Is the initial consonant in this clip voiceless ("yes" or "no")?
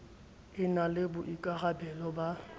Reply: no